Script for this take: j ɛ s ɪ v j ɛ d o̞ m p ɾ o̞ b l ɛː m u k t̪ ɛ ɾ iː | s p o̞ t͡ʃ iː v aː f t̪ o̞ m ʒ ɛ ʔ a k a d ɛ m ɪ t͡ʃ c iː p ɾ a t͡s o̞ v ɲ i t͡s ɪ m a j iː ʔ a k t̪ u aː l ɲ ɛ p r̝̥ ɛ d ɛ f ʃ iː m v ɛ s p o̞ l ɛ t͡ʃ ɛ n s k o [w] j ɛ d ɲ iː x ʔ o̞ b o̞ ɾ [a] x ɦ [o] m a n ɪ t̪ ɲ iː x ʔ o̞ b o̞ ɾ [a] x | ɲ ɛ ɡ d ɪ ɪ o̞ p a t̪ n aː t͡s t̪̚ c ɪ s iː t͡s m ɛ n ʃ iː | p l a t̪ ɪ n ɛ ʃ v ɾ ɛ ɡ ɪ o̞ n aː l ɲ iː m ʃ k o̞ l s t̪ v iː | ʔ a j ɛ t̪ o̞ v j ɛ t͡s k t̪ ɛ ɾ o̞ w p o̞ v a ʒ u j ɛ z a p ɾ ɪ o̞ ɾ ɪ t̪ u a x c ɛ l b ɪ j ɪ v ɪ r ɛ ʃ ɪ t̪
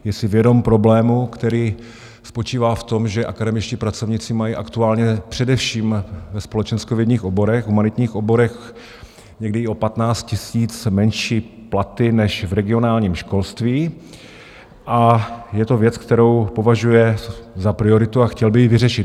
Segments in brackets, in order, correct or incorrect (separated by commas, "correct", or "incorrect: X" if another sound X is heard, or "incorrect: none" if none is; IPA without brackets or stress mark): incorrect: v, incorrect: ɛ, incorrect: u, incorrect: ɛ